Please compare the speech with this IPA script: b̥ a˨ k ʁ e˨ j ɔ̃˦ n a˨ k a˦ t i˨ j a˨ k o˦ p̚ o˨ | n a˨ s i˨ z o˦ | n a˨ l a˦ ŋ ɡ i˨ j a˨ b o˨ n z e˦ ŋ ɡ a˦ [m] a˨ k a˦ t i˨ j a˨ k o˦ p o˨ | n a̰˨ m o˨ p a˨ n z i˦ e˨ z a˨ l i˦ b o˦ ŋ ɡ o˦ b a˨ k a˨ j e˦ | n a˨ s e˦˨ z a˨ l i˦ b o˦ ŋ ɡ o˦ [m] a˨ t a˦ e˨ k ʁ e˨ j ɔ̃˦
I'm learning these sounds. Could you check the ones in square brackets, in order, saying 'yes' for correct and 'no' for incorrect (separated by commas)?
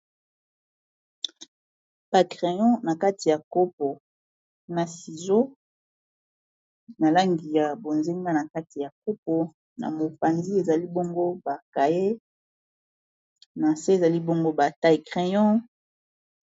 no, no